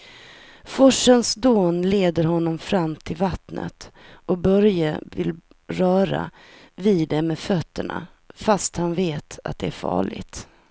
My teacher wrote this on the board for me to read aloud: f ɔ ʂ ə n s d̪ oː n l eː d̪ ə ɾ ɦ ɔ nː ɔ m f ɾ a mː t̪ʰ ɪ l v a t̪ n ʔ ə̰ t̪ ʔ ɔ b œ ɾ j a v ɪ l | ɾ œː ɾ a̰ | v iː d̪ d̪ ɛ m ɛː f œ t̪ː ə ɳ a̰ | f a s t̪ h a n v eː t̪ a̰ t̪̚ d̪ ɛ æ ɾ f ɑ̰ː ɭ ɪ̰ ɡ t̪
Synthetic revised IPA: f ɔ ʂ ə n s d̪ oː n l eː d̪ ə ɾ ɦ ɔ nː ɔ m f ɾ a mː t̪ʰ ɪ l v a t̪ n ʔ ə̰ t̪ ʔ ɔ b œ ɾ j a v ɪ l | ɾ œː ɾ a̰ | v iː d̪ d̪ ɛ m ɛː f œ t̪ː ə ɳ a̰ | f a s t̪ h a n v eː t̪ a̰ t̪̚ d̪ ɛ æ ɾ f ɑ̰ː ɭ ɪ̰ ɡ t̪